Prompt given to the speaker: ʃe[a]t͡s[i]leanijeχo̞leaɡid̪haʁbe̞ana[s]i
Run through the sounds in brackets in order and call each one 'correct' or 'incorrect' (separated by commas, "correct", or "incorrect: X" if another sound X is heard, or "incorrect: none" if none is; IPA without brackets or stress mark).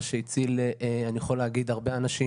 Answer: incorrect: i, correct, incorrect: ʃ